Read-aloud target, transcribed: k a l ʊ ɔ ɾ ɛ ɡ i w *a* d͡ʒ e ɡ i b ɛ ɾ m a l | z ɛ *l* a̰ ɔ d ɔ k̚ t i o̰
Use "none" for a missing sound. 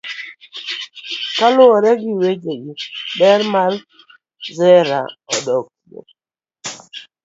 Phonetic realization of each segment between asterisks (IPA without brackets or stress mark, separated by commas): e, ɾ